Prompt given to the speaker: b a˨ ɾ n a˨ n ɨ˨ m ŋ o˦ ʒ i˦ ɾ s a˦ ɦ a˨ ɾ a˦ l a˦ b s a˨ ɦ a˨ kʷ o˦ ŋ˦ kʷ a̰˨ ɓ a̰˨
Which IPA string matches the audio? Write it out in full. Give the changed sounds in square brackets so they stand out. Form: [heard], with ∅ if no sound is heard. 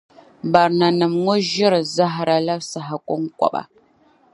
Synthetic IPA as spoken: b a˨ ɾ n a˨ n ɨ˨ m ŋ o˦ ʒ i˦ ɾ [z] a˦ ɦ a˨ ɾ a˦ l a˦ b s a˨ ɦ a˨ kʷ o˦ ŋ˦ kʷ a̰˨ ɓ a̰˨

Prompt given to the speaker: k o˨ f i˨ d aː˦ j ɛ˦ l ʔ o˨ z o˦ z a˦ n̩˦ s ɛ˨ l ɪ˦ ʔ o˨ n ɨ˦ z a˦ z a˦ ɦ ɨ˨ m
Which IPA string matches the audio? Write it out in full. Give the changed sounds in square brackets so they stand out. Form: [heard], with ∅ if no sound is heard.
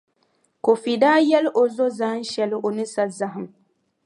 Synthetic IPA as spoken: k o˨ f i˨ d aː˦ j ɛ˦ l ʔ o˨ z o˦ z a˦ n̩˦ [ʃ] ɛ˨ l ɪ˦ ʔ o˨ n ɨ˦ [s] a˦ z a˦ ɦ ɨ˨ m

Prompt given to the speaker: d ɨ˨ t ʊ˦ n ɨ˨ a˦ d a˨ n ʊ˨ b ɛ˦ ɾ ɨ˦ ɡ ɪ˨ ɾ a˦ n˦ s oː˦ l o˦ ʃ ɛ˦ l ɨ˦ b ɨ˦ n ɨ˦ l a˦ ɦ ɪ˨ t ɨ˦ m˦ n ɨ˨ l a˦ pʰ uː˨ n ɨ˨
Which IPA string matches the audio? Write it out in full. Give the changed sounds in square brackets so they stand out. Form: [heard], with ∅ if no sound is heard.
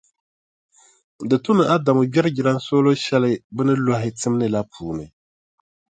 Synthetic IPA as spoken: d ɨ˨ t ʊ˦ n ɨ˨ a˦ d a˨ [m] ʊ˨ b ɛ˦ ɾ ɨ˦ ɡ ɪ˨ ɾ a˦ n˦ s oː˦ l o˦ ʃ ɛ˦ l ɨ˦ b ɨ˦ n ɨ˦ l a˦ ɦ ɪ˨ t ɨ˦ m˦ n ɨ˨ l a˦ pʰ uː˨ n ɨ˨

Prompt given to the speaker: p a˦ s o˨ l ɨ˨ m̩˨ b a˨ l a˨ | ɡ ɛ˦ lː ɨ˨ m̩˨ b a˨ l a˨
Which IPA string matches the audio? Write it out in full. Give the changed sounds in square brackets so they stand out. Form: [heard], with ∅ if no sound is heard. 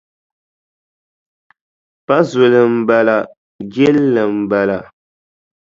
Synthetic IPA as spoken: p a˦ [z] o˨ l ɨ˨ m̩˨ b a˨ l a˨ | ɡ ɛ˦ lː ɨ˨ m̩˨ b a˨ l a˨

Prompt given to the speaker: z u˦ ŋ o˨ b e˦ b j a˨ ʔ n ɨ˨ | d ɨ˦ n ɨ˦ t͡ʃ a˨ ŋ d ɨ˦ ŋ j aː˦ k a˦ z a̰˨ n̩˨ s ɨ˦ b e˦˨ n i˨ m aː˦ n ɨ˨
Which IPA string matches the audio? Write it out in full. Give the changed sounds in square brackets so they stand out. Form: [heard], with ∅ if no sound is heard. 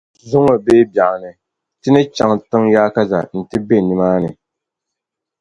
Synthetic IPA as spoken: z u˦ ŋ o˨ b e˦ b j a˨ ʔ n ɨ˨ | [t] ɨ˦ n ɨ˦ t͡ʃ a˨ ŋ [t] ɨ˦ ŋ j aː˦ k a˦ z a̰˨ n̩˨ [t] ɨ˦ b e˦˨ n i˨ m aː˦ n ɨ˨

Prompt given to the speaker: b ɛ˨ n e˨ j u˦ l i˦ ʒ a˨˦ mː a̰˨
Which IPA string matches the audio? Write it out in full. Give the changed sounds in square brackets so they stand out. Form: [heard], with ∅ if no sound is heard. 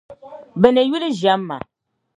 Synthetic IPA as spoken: b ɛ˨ n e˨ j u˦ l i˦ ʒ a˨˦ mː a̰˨

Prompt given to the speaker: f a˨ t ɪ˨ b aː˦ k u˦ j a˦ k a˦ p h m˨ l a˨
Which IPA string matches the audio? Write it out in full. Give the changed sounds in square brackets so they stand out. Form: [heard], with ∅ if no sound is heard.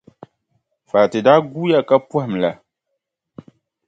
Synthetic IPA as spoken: f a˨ t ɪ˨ [d] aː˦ [ɡ] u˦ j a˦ k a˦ p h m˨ l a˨

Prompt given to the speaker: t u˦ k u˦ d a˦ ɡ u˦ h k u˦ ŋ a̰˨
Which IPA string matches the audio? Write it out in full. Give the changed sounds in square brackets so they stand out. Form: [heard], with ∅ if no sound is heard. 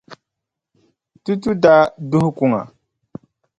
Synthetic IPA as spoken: t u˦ [t] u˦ d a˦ [d] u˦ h k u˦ ŋ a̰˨

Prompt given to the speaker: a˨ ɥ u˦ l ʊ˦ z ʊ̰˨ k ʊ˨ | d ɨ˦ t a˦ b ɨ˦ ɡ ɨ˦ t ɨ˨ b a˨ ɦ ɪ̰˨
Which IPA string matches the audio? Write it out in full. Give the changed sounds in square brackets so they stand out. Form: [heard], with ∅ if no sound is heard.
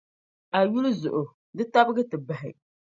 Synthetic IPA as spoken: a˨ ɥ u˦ l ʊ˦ z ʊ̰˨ [ʔ] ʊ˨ | d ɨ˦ t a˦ b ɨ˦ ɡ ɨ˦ t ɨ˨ b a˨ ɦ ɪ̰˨

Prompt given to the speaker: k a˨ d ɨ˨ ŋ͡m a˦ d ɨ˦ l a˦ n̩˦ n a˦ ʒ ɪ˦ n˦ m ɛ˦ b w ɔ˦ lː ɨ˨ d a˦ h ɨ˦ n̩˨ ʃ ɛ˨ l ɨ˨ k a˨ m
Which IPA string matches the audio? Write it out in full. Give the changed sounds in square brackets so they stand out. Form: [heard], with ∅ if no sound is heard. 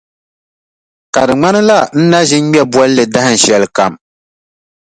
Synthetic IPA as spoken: k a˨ d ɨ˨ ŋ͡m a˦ [n] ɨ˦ l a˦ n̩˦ n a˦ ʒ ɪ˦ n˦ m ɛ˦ b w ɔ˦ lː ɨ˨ d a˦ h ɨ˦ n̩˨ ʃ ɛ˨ l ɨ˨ k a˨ m

